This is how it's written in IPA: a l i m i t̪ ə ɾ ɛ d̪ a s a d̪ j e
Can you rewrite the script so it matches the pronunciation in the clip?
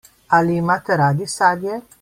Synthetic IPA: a l i m a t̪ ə ɾ a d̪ i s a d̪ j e